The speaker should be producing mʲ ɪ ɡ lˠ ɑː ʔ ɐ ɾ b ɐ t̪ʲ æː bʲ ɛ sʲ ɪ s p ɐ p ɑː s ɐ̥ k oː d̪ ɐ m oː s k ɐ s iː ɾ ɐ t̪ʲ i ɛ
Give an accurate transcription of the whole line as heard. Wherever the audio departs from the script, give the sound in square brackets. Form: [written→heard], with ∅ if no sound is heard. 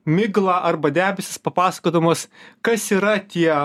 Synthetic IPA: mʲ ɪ ɡ lˠ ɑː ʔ ɐ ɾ b ɐ [t̪ʲ→d̪ʲ] æː bʲ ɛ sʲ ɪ s p ɐ p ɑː s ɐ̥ k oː d̪ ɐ m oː s k ɐ s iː ɾ ɐ t̪ʲ i ɛ